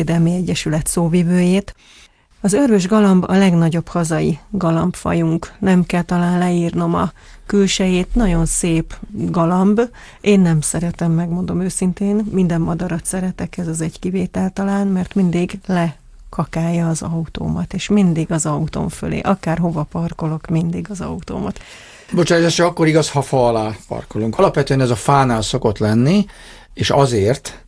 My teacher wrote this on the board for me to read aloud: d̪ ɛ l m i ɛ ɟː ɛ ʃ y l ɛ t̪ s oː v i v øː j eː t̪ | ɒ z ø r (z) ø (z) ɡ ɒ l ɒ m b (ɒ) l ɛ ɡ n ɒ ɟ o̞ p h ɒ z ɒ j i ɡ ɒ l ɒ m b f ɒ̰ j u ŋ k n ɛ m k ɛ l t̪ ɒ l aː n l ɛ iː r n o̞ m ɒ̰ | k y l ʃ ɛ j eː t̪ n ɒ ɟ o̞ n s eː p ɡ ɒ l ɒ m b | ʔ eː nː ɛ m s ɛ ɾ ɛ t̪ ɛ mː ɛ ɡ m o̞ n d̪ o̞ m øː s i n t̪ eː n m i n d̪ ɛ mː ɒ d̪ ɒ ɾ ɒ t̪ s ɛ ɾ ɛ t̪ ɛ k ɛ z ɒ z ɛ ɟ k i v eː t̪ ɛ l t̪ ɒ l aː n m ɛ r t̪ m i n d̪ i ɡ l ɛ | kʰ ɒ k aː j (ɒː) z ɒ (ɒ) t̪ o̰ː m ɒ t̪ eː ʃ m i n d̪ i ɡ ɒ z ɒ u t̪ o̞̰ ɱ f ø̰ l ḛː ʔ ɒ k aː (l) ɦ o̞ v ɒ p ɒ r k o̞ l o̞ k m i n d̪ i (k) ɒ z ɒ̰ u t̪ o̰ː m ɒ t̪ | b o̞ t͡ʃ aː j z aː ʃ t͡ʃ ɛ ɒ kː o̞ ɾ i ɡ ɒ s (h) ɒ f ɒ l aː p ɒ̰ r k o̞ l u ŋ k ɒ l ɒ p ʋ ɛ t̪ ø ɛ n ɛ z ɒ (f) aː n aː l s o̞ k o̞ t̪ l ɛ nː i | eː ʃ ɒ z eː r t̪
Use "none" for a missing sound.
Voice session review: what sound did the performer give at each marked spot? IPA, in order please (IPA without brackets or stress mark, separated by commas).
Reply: v, ʒ, ɒ, ɒː, u, r, ɡ, h, f